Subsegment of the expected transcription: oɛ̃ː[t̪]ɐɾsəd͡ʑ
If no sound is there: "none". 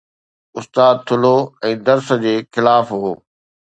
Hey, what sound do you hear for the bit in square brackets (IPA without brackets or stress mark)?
d̪